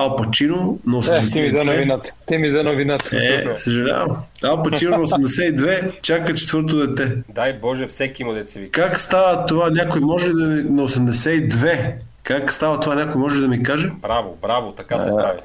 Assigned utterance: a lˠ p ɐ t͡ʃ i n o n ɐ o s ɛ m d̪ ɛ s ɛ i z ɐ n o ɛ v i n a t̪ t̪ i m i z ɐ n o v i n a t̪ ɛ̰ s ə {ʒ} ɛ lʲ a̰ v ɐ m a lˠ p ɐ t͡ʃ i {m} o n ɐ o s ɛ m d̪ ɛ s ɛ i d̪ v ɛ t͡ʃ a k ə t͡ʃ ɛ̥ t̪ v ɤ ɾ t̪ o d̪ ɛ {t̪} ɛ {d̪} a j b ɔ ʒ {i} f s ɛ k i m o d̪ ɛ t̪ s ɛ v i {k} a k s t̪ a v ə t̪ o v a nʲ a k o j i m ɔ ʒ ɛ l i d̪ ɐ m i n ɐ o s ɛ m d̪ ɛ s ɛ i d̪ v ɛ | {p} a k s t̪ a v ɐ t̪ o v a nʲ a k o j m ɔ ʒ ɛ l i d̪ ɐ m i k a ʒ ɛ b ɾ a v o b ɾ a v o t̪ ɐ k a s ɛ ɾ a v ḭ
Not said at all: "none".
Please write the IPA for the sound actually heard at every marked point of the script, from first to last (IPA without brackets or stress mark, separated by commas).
ʒ, n, t̪, d̪, ɛ, k, k